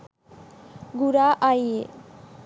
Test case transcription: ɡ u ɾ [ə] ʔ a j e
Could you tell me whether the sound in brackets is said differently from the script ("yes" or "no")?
yes